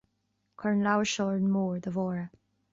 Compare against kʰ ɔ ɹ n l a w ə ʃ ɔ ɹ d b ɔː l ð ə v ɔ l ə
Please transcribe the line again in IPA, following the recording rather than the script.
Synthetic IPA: kʰ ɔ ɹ n l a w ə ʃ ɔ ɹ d m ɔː ɹ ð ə v ɔ ɹ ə